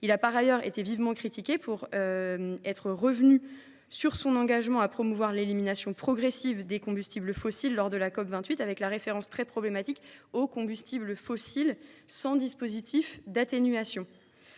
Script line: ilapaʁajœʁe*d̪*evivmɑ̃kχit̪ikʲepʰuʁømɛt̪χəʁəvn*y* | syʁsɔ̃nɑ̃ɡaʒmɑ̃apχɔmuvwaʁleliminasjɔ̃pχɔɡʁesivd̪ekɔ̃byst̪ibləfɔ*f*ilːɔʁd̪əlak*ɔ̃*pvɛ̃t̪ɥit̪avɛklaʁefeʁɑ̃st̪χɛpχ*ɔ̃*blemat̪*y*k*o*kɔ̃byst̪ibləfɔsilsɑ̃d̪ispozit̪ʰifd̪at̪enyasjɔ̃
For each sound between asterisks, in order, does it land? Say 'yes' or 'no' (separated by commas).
no, yes, no, no, no, no, yes